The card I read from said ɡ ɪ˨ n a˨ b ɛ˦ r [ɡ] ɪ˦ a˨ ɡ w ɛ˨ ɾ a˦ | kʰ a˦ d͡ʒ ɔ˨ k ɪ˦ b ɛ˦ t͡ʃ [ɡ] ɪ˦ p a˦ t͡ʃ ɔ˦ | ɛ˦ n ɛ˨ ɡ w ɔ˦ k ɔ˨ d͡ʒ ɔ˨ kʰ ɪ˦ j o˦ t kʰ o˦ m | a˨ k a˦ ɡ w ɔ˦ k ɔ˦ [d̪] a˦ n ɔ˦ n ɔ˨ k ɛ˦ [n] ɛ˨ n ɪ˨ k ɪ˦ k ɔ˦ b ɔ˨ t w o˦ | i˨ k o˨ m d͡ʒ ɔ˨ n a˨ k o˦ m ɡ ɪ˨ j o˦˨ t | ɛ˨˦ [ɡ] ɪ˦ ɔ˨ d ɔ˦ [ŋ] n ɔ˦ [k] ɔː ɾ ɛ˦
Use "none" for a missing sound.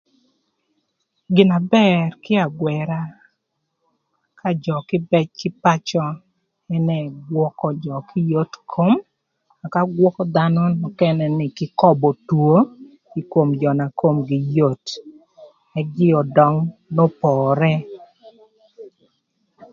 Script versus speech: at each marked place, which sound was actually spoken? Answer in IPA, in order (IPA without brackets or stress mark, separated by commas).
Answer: k, k, d̪, n, ɡ, ŋ, p